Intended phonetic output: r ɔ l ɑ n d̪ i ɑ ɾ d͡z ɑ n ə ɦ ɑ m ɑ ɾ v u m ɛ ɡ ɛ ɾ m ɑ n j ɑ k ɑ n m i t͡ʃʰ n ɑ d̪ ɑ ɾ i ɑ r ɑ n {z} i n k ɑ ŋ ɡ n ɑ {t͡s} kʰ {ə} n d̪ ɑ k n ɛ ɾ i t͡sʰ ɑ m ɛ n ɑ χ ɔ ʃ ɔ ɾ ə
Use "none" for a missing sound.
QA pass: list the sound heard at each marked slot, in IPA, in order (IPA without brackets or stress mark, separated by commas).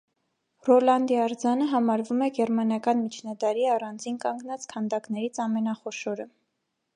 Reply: d͡z, t͡s, ɑ